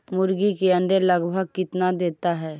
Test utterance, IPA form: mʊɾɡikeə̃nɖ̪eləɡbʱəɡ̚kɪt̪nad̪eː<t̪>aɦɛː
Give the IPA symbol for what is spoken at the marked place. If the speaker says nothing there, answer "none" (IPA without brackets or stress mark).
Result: t̪